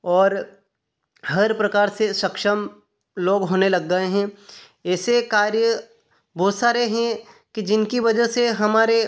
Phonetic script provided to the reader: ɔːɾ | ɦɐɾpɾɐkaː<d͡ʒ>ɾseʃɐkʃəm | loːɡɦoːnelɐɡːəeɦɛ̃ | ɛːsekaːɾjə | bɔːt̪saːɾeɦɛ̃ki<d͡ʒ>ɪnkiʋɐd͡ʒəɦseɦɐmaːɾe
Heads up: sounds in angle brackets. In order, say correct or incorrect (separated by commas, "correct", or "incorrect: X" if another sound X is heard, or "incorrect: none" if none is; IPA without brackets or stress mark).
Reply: incorrect: none, correct